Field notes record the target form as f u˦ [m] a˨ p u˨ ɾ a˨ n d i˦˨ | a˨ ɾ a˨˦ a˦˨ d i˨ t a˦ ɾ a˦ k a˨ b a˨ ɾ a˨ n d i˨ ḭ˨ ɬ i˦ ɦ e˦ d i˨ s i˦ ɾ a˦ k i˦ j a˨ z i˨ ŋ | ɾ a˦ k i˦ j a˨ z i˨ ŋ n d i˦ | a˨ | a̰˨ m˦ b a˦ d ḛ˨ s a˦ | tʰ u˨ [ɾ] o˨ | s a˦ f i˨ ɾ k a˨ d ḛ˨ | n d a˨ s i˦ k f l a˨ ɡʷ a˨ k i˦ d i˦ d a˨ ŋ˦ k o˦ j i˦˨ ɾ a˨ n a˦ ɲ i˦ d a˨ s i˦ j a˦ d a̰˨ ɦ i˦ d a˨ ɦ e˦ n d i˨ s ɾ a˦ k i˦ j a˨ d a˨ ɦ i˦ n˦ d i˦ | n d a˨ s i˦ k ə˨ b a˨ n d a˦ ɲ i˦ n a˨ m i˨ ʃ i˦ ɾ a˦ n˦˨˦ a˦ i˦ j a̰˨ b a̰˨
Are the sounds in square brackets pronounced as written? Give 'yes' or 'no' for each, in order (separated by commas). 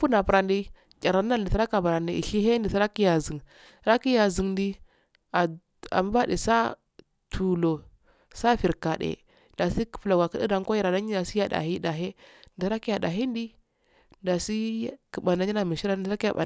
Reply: no, no